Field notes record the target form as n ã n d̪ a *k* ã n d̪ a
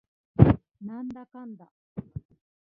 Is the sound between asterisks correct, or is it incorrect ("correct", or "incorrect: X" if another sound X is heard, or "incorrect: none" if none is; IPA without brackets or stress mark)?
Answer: correct